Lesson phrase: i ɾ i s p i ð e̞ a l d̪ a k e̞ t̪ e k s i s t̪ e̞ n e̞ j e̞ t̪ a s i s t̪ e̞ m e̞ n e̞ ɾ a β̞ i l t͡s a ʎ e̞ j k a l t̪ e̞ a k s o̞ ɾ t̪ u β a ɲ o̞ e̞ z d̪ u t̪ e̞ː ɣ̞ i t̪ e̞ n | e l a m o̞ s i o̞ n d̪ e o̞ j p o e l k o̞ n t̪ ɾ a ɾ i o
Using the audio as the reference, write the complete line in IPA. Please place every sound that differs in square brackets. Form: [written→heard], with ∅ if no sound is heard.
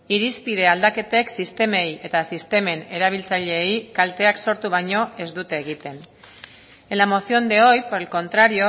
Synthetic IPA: i ɾ i s p i ð e̞ a l d̪ a k e̞ t̪ e k s i s t̪ e̞ [n→m] e̞ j e̞ t̪ a s i s t̪ e̞ m e̞ n e̞ ɾ a β̞ i l t͡s a ʎ e̞ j k a l t̪ e̞ a k s o̞ ɾ t̪ u β a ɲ o̞ e̞ z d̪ u t̪ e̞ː ɣ̞ i t̪ e̞ n | e l a m o̞ s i o̞ n d̪ e o̞ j p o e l k o̞ n t̪ ɾ a ɾ i o